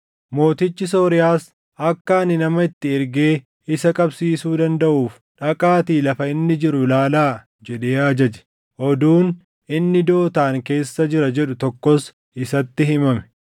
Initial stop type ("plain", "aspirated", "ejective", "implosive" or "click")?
plain